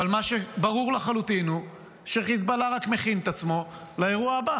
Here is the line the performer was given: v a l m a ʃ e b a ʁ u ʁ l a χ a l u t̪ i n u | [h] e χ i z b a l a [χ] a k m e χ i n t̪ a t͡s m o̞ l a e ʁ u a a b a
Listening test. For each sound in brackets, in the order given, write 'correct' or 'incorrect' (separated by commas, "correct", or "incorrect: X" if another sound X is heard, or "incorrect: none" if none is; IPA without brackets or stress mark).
incorrect: ʃ, incorrect: ʁ